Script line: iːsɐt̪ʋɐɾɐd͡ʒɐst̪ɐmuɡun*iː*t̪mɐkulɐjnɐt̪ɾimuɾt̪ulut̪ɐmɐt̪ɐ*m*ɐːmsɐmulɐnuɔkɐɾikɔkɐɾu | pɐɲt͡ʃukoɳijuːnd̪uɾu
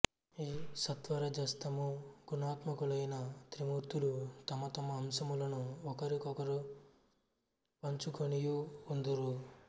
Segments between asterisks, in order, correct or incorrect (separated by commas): incorrect, correct